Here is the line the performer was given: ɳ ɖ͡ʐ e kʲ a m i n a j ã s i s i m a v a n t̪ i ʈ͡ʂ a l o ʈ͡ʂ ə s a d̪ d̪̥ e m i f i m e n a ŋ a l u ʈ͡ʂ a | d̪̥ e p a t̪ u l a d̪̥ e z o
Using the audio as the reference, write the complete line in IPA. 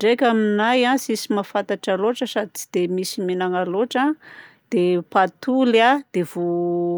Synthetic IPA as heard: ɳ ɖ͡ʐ e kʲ a m i n a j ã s i s i m a f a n t̪ a ʈ͡ʂ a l o ʈ͡ʂ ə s a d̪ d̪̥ e m i s i m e n a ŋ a l o ʈ͡ʂ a | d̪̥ e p a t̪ u l a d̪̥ e v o